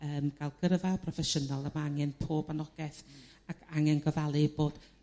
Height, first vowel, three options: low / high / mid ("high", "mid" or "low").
mid